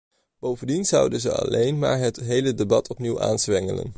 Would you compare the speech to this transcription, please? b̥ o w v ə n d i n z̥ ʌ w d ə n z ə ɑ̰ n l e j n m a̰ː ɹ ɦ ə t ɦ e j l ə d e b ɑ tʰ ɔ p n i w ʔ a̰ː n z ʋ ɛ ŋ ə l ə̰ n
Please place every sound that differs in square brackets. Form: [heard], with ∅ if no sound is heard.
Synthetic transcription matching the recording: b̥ o w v ə n d i n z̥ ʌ w d ə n z ə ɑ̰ [∅] l e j n m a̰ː ɹ ɦ ə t ɦ e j l ə d e b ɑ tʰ ɔ p n i w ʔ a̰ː n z ʋ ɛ ŋ ə l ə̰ n